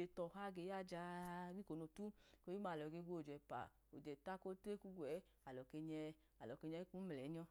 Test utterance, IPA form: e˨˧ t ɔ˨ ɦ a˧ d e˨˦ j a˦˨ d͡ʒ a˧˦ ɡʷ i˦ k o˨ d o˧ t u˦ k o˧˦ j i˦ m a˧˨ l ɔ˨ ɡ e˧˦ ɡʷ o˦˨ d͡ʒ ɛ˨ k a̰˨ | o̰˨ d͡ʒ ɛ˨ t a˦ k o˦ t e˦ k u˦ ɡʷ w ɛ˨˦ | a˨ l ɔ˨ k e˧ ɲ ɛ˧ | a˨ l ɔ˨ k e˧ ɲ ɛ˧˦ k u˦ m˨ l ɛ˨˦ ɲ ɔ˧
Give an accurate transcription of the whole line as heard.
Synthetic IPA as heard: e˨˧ t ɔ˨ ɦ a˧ ɡ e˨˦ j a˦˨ d͡ʒ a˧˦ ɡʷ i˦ k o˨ n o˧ t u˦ k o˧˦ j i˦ m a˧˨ l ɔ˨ ɡ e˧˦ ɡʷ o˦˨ d͡ʒ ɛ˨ p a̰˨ | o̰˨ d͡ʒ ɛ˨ t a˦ k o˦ t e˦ k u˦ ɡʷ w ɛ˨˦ | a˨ l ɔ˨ k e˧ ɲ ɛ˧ | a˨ l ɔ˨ k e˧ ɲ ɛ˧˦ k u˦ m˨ l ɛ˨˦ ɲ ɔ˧